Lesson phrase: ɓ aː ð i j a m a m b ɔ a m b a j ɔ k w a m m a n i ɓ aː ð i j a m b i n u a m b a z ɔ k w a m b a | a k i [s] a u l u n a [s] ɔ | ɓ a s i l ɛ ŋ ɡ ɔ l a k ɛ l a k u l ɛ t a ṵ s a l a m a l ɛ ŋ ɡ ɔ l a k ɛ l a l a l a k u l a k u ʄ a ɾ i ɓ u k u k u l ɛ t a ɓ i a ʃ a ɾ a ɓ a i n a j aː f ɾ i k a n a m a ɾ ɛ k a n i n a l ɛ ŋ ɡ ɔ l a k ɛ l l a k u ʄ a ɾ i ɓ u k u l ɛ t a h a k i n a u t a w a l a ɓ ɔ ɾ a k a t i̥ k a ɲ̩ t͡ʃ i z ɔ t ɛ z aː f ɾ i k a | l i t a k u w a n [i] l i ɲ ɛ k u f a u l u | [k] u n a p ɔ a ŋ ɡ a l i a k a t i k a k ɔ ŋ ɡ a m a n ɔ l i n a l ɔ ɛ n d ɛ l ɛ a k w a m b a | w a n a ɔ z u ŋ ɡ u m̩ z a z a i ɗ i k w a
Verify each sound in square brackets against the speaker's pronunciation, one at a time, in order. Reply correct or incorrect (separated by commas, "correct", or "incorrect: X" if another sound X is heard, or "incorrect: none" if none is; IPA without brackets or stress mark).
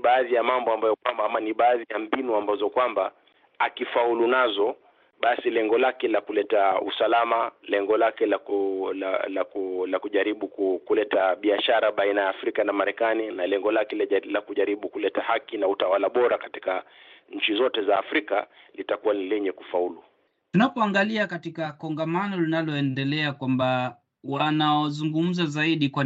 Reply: incorrect: f, incorrect: z, correct, incorrect: t